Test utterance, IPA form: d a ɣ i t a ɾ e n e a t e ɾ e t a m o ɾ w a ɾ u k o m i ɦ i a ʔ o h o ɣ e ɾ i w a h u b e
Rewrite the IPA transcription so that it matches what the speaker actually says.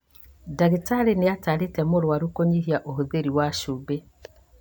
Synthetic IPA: d a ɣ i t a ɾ e n e a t a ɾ e t ɛ m o ɾ w a ɾ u k o ɲ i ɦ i a ʔ o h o ð e ɾ i w a ʃ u b e